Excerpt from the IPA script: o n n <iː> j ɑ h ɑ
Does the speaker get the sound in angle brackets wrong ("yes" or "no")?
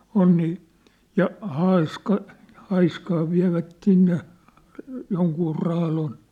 no